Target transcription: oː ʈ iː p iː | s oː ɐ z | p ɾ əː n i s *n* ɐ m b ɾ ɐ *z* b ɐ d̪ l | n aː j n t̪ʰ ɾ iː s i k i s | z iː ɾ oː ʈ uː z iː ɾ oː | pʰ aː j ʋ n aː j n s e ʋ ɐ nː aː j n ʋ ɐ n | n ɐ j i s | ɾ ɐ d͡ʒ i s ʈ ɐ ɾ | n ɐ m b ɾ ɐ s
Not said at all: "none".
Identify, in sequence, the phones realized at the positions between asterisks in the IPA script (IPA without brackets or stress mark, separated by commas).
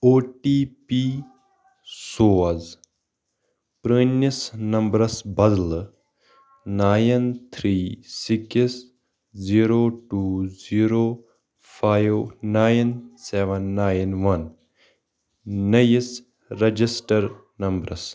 n, s